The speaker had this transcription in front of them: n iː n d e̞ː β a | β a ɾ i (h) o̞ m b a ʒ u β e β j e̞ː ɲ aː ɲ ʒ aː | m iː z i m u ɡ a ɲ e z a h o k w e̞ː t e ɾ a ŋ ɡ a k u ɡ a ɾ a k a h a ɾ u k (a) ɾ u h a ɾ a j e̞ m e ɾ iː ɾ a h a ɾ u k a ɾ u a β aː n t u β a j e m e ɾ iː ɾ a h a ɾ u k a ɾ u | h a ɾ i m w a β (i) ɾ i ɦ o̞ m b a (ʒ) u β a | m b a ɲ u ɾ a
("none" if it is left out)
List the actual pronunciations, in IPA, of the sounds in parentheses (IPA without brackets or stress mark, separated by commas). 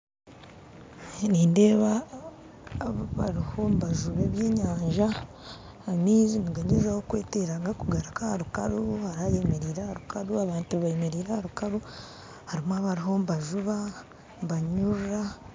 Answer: h, a, a, ʒ